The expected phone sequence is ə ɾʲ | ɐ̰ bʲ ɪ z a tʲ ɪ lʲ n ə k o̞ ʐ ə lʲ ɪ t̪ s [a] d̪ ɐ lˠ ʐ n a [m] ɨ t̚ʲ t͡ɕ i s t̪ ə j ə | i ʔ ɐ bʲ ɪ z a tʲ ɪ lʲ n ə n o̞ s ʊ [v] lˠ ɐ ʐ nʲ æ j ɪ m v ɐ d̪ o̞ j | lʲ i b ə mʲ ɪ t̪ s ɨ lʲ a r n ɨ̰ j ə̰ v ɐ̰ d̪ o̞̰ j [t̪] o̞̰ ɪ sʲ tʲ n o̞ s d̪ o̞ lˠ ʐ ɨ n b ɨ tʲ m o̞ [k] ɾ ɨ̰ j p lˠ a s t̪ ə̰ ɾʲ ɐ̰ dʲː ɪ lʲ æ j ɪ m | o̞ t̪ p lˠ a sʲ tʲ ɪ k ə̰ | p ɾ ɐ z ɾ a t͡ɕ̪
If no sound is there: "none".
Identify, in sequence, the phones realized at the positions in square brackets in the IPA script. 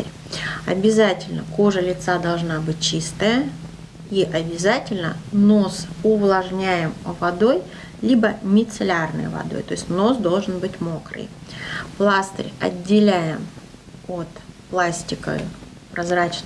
a, b, v, t̪, k

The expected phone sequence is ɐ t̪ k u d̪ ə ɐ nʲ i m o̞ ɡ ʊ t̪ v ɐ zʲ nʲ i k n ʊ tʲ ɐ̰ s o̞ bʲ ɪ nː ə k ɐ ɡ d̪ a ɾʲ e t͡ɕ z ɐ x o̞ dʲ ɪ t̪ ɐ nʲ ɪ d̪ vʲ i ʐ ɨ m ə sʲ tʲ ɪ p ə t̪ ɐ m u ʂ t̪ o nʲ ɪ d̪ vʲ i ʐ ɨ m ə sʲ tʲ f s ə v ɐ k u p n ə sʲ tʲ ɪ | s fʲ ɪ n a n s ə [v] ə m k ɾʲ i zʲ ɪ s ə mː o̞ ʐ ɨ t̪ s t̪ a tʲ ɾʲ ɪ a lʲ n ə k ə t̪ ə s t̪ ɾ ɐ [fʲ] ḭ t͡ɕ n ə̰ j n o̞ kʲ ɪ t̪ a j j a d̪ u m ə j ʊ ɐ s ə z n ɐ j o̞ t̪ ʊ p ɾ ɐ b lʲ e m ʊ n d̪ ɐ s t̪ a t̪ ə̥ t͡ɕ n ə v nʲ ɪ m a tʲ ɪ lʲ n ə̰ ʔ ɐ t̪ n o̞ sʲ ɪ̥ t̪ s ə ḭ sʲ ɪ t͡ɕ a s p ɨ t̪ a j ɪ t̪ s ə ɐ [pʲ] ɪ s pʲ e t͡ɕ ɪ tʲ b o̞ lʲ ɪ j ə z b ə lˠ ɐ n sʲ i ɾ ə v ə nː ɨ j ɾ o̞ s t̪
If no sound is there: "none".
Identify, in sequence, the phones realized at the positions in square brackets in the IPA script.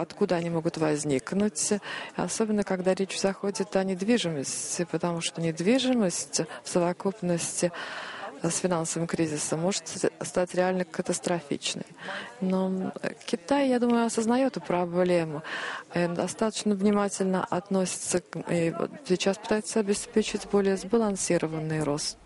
v, fʲ, bʲ

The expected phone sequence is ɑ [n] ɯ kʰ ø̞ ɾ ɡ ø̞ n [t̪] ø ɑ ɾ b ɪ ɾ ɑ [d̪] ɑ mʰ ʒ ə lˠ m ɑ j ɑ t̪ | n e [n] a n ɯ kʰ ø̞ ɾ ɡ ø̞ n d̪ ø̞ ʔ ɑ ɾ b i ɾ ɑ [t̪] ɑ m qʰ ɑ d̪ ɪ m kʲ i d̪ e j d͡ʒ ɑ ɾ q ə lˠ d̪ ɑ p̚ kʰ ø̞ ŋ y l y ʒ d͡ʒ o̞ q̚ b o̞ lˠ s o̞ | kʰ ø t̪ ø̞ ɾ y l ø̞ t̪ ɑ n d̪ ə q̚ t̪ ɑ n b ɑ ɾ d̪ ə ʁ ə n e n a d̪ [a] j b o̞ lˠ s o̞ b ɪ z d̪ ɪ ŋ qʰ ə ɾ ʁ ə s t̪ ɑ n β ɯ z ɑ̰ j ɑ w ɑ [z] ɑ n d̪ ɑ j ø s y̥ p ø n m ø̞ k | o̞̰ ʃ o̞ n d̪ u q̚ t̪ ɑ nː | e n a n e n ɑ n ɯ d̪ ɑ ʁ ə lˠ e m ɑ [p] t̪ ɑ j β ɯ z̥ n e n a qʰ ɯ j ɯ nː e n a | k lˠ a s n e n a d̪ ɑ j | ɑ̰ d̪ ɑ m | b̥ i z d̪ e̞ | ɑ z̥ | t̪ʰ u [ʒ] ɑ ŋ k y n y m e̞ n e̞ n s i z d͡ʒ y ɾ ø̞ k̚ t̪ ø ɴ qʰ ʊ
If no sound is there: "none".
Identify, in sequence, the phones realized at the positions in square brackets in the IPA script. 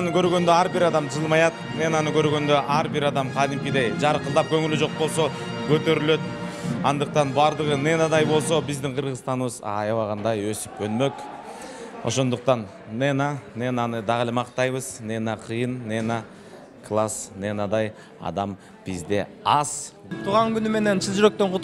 n, d̪, d̪, n, d̪, ɑ, ʁ, q, ʁ

